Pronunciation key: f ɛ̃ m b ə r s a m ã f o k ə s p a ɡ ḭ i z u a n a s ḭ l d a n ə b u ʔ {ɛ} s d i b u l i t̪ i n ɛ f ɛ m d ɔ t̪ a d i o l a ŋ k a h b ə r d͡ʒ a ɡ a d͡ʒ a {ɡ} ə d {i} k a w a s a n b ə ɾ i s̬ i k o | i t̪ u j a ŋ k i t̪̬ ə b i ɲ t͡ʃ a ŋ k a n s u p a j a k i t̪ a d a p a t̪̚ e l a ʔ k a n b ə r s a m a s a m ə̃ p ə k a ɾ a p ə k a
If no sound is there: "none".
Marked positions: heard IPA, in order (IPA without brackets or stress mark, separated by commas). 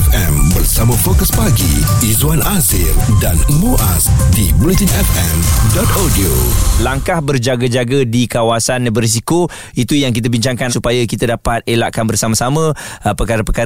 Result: a, ɡ, i